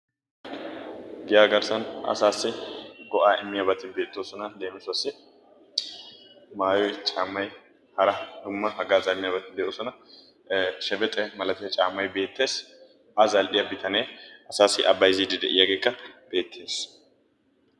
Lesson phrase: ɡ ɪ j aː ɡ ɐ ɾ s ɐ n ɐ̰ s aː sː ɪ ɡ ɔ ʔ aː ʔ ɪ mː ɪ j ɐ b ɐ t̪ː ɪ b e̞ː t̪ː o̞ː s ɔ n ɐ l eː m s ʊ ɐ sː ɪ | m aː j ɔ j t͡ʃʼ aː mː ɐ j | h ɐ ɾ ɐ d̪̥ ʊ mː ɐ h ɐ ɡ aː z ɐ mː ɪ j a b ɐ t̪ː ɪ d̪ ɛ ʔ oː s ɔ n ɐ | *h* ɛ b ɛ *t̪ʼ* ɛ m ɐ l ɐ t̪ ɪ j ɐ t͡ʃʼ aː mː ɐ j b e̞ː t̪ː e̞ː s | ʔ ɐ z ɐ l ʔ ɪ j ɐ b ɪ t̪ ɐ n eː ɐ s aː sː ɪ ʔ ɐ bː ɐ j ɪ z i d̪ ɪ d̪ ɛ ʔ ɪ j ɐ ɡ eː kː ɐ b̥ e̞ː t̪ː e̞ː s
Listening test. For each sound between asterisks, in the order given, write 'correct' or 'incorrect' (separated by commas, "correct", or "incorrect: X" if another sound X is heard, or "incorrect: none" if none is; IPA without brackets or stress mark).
incorrect: ʃ, correct